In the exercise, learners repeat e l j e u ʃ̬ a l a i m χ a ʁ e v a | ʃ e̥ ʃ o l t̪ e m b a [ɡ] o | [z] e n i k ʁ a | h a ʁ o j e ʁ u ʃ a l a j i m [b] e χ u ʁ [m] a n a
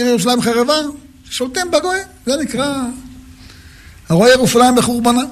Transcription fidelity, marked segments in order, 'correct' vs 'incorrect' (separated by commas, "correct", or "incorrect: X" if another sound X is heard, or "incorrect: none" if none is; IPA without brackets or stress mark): correct, correct, correct, incorrect: b